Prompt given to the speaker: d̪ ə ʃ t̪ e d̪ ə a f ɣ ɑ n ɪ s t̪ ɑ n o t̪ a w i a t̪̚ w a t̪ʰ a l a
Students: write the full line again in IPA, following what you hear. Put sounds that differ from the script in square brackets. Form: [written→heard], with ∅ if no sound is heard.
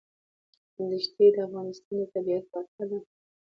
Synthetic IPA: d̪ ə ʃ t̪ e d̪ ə a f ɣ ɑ n ɪ s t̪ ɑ n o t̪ a [w→b] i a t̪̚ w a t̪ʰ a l a